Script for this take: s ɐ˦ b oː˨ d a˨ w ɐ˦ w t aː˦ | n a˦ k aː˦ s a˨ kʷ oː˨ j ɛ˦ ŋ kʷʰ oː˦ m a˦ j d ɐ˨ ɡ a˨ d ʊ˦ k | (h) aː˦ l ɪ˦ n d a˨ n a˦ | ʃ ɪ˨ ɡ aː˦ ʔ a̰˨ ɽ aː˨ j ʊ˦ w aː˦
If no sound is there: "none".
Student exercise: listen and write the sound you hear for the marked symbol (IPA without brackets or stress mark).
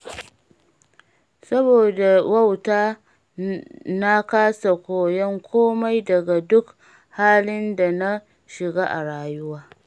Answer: h